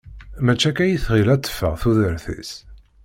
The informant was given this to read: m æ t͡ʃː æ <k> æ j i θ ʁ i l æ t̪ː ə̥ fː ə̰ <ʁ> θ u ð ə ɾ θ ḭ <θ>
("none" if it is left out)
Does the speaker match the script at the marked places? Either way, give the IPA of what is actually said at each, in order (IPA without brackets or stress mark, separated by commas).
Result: k, ʁ, s